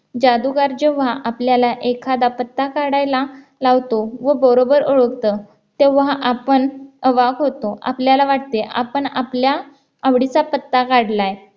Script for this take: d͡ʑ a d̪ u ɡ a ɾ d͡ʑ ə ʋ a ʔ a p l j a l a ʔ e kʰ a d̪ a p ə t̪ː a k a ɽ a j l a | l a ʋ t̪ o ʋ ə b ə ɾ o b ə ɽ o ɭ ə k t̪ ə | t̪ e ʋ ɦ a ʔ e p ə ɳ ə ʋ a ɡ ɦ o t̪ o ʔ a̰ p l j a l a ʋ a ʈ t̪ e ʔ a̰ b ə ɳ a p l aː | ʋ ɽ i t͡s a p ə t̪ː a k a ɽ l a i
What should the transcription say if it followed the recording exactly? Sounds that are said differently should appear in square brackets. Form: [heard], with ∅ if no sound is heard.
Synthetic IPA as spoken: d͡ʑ a d̪ u ɡ a ɾ d͡ʑ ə ʋ a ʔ a p l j a l a ʔ e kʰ a d̪ a p ə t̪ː a k a ɽ a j l a | l a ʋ t̪ o ʋ ə b ə ɾ o b ə [ɾ] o ɭ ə k t̪ ə | t̪ e ʋ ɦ a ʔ [a] p ə ɳ ə ʋ a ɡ ɦ o t̪ o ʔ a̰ p l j a l a ʋ a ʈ t̪ e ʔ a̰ [p] ə ɳ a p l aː | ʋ ɽ i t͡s a p ə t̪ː a k a ɽ l a [j]